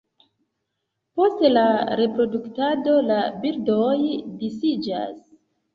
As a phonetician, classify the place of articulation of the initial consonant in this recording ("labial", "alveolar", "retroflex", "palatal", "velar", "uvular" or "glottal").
labial